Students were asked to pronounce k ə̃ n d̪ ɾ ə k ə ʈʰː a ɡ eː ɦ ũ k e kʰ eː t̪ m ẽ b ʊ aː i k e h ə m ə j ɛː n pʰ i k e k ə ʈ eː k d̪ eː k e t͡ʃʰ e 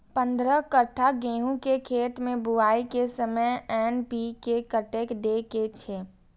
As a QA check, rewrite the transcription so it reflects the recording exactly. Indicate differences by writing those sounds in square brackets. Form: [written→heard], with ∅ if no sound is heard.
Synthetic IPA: [k→p] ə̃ n d̪ ɾ ə k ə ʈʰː a ɡ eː ɦ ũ k e kʰ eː t̪ m ẽ b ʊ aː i k e [h→s] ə m ə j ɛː n [pʰ→p] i k e k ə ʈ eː k d̪ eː k e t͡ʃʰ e